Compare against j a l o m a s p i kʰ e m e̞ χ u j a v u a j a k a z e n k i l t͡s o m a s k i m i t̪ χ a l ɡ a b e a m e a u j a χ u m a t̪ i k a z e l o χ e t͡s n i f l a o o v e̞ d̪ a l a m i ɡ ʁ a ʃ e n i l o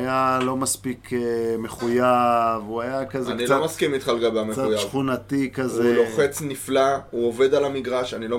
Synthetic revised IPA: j a l o m a s p i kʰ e m e̞ χ u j a v u a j a k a z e n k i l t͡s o m a s k i m i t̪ χ a l ɡ a b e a m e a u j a χ u n a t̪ i k a z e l o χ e t͡s n i f l a u o v e̞ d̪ a l a m i ɡ ʁ a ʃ a n i l o